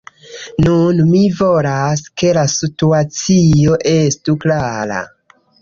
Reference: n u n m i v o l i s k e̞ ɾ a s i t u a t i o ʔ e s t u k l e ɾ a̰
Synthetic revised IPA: n u n m i v o l a s k e̞ l a s i t u a t͡s i o ʔ e s t u k l a ɾ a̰